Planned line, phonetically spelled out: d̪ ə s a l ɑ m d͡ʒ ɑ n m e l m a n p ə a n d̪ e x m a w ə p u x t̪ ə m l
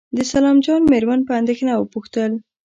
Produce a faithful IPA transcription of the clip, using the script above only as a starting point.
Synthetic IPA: d̪ ə s a l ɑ m d͡ʒ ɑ n m e ɾ m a n p ə a n d̪ e x n a w ə p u x t̪ ə l